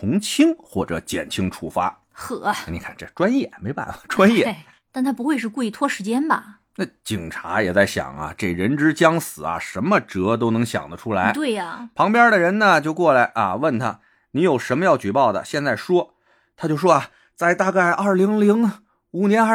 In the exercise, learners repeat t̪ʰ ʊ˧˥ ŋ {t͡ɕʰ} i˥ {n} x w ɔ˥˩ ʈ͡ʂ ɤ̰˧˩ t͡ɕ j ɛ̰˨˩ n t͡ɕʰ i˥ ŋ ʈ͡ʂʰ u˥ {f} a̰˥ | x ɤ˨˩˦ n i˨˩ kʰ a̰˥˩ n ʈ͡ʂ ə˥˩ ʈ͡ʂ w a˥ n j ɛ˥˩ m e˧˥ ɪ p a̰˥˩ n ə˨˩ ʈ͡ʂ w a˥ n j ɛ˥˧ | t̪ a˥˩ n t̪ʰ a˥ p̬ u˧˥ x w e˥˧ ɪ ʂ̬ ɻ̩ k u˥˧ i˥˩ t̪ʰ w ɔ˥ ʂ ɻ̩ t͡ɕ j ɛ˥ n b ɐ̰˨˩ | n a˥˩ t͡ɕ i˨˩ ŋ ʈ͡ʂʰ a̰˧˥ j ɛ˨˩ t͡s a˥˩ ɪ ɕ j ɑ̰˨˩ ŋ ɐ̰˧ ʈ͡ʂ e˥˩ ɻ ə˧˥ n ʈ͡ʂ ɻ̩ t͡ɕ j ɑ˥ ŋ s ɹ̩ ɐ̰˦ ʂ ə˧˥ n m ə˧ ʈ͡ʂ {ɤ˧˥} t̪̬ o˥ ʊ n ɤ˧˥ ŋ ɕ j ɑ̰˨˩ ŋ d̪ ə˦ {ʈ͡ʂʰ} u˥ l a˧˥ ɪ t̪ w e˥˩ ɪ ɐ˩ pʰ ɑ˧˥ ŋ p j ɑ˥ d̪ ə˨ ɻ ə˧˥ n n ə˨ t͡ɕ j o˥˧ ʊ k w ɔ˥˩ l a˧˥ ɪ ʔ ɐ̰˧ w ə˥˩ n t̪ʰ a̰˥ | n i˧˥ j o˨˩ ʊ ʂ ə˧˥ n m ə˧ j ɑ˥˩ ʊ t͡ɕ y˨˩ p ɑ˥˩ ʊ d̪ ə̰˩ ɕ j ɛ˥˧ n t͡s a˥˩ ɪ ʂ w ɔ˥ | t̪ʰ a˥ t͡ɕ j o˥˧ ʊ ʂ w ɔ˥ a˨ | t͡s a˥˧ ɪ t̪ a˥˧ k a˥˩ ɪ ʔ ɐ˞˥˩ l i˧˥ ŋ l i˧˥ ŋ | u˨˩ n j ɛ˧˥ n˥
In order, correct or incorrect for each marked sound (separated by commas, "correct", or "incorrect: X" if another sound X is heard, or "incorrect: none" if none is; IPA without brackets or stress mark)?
correct, incorrect: ŋ, correct, correct, correct